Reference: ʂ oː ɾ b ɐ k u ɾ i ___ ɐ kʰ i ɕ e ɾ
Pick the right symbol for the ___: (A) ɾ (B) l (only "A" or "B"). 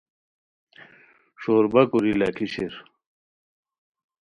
B